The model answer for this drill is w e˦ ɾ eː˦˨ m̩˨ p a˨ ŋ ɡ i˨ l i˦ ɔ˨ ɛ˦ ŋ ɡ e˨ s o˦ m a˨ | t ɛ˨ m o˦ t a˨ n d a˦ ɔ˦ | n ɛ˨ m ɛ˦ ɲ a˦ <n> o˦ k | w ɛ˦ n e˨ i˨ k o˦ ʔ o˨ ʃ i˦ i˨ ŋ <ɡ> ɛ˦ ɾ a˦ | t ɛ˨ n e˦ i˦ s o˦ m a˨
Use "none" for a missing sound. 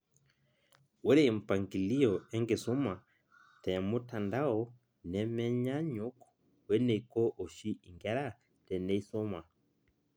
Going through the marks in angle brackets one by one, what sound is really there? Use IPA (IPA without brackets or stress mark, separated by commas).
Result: ɲ, ɡ